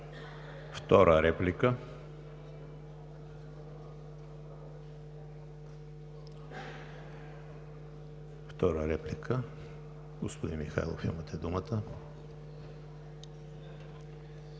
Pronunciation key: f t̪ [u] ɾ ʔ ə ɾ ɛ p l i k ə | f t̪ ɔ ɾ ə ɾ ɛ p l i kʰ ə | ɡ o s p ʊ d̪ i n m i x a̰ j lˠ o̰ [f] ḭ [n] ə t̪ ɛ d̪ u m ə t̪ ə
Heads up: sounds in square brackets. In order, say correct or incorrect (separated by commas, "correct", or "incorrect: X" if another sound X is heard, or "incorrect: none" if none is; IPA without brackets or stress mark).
incorrect: ɔ, correct, incorrect: m